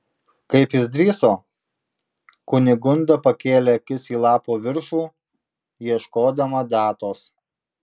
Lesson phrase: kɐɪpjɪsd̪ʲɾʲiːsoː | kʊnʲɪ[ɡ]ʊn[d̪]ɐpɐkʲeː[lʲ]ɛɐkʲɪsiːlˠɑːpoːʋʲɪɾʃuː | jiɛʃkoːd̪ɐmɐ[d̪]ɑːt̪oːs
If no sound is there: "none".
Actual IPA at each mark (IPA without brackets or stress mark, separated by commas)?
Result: ɡ, d̪, lʲ, d̪